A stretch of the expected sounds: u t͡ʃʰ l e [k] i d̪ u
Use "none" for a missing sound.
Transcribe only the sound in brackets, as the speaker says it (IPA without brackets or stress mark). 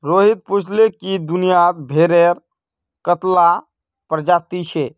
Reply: k